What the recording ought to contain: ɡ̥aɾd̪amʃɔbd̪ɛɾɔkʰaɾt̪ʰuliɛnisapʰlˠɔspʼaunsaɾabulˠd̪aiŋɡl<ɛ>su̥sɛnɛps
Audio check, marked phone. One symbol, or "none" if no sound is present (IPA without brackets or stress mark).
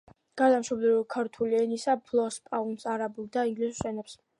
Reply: i